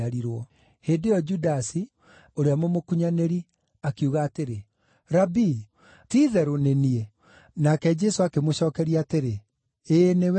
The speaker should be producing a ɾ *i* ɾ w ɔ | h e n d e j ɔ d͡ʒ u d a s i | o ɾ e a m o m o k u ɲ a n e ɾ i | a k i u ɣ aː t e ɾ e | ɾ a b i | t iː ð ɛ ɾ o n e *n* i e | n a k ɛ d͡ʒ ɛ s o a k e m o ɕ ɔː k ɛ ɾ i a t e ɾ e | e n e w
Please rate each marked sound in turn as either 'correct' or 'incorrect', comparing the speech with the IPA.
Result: correct, correct

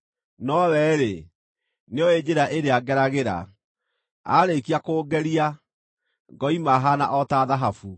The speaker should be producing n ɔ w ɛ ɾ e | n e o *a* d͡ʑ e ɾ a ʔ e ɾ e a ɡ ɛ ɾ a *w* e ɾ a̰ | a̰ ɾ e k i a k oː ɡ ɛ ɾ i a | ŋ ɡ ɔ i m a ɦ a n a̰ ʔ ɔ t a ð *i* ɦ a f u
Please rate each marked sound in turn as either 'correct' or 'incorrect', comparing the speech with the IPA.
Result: incorrect: e, incorrect: ɣ, incorrect: a

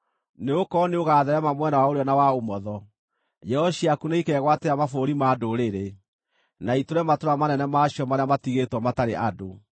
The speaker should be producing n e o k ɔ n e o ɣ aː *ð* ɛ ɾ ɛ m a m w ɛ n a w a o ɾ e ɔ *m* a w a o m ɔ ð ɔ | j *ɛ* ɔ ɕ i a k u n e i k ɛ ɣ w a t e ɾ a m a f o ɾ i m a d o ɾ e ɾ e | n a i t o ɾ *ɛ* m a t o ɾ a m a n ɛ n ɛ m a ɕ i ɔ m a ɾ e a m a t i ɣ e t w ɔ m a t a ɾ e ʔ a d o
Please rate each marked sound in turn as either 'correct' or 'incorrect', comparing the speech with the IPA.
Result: correct, incorrect: n, correct, correct

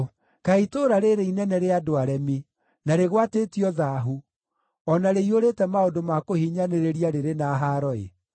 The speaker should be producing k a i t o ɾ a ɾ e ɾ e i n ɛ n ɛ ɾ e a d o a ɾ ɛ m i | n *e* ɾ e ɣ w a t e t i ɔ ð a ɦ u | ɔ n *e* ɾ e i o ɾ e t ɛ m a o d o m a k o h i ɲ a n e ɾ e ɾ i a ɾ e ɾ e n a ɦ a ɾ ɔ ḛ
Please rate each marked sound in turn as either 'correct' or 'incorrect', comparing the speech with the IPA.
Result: incorrect: a, incorrect: a

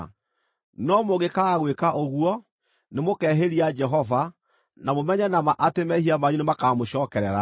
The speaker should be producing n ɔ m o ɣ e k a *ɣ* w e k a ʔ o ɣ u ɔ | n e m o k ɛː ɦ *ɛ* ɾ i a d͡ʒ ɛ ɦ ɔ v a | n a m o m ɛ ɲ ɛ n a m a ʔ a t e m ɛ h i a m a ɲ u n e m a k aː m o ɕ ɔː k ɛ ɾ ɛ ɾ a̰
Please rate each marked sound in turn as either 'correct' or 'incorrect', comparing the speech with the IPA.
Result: correct, incorrect: e

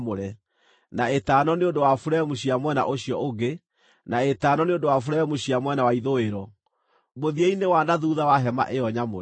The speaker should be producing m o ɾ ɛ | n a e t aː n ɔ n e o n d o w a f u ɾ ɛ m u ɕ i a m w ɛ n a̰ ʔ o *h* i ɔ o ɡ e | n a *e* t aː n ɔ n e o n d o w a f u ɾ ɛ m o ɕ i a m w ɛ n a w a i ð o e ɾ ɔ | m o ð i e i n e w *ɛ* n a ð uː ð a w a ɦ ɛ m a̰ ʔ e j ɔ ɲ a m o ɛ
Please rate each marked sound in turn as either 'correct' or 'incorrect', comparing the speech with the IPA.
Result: incorrect: ɕ, correct, incorrect: a

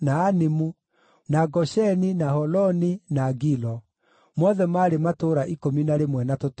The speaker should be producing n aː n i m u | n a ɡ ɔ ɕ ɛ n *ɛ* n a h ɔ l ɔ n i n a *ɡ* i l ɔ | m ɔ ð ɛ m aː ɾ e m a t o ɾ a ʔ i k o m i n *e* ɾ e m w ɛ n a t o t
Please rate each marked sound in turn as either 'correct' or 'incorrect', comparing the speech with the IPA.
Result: incorrect: i, correct, incorrect: a

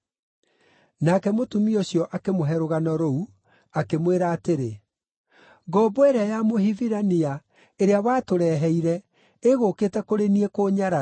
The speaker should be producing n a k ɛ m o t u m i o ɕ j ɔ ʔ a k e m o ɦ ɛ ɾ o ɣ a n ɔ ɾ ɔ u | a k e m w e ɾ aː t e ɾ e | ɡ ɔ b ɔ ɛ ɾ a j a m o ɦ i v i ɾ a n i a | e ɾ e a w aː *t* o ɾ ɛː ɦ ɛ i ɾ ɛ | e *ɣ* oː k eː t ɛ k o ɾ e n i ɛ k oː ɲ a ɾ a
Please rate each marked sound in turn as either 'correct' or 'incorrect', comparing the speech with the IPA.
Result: correct, correct

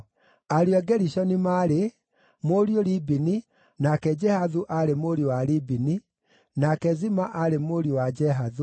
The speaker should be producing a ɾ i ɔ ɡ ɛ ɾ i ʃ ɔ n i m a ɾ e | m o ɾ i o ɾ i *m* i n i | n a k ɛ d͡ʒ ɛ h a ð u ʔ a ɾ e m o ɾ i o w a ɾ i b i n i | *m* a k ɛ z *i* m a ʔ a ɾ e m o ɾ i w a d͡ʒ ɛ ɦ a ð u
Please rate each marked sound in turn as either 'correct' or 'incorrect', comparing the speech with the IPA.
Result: incorrect: b, incorrect: n, correct

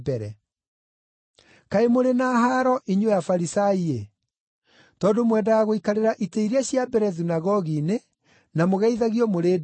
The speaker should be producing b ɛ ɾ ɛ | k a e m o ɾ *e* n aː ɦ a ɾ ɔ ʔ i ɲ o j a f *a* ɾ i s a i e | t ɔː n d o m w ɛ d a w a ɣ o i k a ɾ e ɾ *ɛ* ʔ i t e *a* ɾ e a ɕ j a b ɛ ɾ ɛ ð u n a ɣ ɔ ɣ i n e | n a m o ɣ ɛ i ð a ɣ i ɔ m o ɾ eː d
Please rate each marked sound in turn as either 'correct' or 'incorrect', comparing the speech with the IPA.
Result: correct, correct, incorrect: a, incorrect: i

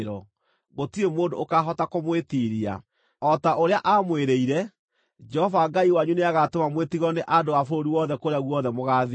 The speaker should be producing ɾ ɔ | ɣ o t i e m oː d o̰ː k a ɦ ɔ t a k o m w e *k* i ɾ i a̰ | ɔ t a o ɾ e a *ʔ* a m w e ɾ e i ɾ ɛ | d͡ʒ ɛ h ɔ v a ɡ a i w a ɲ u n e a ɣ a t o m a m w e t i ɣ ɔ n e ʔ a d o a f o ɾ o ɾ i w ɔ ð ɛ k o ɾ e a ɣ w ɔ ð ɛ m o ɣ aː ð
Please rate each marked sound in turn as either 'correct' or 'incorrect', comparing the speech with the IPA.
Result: incorrect: t, correct

